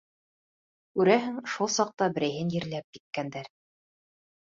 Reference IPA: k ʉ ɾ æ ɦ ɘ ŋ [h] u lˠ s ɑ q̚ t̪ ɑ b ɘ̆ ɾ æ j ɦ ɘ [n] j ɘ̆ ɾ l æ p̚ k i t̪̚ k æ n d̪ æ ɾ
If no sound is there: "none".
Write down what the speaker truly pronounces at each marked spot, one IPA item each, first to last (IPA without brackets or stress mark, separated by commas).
ʃ, n